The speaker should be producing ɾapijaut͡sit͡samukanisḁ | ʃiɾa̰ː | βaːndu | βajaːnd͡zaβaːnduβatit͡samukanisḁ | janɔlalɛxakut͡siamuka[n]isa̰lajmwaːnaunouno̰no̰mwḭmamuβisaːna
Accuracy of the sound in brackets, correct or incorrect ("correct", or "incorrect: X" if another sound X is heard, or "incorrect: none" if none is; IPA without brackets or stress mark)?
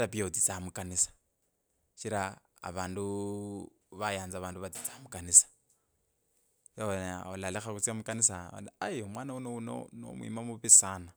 correct